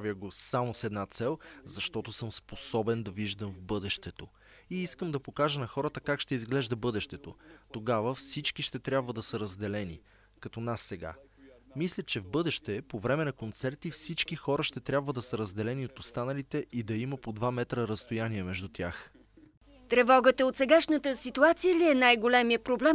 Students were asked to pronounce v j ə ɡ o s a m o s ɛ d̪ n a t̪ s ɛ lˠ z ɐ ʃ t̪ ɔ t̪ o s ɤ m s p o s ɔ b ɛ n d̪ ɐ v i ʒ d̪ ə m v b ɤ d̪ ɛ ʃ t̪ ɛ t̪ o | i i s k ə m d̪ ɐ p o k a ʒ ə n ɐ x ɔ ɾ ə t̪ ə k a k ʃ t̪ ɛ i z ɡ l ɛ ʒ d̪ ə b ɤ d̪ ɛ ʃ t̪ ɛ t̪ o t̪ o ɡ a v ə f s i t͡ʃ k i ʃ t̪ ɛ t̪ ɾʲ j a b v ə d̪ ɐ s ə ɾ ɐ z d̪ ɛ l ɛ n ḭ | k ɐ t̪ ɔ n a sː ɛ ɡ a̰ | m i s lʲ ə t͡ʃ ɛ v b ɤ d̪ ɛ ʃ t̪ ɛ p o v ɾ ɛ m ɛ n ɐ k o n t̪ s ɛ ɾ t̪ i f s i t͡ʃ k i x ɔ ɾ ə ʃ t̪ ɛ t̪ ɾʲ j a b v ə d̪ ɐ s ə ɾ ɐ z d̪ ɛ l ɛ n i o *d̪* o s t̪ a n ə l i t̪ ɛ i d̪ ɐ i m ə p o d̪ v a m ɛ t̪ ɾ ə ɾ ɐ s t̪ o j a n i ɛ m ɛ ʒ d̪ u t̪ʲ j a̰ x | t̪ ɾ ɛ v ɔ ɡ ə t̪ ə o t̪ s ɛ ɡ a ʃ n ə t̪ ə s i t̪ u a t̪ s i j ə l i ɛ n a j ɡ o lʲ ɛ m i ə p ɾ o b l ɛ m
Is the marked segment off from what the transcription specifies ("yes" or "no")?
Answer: yes